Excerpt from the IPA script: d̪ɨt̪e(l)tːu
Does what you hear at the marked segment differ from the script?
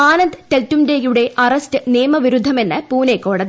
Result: no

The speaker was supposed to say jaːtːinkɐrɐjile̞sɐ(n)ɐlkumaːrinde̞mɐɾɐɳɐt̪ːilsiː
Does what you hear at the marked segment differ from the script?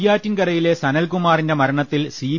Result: no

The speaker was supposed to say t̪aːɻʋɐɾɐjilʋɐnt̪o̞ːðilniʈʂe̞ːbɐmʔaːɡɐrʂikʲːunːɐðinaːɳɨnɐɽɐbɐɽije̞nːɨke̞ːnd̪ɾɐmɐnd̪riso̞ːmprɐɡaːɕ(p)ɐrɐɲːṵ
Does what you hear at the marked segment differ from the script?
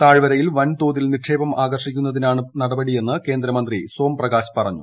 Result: no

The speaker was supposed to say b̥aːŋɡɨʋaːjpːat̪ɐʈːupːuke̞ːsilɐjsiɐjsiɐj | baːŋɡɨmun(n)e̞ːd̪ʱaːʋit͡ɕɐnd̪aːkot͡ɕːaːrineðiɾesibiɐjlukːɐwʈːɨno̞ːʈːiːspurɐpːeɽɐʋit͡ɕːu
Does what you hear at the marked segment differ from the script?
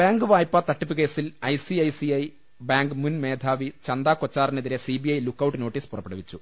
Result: yes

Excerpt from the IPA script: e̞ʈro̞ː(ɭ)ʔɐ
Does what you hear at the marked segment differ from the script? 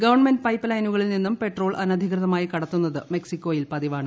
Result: no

